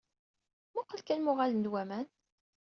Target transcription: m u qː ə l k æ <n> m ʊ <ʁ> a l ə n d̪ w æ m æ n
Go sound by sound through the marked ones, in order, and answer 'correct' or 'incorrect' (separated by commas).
correct, correct